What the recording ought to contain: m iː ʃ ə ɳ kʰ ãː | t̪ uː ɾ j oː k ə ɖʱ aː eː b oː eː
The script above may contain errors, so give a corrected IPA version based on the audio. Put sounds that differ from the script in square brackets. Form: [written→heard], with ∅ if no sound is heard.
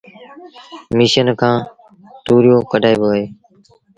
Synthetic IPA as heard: m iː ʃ ə [ɳ→n] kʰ ãː | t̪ uː ɾ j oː k ə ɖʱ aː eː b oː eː